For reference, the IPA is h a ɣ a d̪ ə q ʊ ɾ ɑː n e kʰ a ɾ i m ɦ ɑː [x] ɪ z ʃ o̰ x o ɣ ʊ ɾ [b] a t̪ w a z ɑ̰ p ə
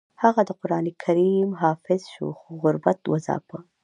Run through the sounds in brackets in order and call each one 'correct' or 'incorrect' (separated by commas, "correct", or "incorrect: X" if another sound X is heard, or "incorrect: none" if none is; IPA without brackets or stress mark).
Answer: incorrect: f, correct